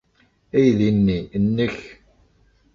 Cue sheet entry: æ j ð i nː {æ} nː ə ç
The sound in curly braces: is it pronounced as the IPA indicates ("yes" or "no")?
no